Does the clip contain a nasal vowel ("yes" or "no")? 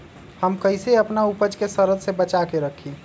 no